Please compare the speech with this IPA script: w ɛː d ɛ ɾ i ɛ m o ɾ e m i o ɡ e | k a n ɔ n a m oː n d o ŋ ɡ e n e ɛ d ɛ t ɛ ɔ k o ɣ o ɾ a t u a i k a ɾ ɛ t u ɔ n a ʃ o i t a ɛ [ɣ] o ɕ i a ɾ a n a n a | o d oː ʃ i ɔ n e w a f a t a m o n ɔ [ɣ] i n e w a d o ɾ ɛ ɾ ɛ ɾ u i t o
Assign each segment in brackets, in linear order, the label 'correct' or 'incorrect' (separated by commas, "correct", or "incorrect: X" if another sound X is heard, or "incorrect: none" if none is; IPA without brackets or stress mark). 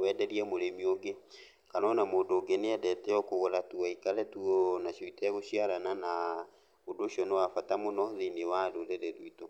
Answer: correct, incorrect: ð